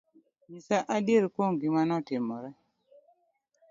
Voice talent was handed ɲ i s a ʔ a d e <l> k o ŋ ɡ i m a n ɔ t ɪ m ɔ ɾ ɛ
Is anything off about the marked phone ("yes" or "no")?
yes